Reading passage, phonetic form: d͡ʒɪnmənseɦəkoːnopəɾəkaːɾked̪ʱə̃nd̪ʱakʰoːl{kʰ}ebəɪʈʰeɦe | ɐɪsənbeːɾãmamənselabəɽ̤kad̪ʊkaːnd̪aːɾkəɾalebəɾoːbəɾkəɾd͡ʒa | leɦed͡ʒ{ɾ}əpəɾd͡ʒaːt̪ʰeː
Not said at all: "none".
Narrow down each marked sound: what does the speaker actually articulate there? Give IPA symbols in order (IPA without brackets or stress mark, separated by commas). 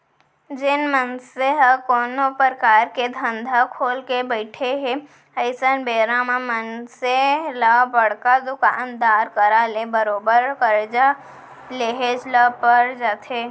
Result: k, l